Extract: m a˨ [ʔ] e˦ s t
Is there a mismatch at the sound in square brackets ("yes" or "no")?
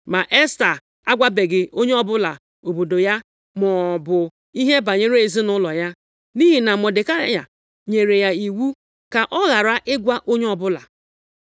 no